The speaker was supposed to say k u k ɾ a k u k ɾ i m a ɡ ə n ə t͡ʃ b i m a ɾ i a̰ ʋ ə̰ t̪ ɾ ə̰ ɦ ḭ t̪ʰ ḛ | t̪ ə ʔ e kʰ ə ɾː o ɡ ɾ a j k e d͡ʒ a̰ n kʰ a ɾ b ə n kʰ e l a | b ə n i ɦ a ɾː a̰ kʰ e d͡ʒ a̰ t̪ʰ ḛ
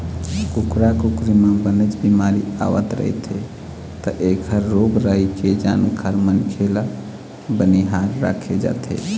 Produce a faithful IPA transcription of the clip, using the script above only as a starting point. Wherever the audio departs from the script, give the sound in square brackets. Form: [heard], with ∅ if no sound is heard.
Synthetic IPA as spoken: k u k ɾ a k u k ɾ i m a [b] ə n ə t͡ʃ b i m a ɾ i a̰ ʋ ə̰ t̪ ɾ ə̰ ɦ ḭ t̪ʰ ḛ | t̪ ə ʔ e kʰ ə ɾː o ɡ ɾ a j k e d͡ʒ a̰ n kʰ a ɾ [m] ə n kʰ e l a | b ə n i ɦ a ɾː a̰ kʰ e d͡ʒ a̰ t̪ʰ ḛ